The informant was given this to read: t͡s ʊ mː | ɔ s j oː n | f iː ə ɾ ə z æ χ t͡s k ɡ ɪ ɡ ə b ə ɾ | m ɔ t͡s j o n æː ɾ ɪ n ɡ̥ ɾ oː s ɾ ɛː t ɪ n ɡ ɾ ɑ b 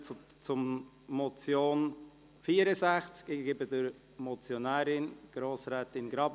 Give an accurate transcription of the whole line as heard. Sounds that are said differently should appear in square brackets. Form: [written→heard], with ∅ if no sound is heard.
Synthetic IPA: t͡s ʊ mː | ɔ [s→t͡s] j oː n | f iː ə ɾ ə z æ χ t͡s k ɡ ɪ [ɡ→b] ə [b→d] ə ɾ | m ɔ t͡s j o n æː ɾ ɪ n ɡ̥ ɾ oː s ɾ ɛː t ɪ n ɡ ɾ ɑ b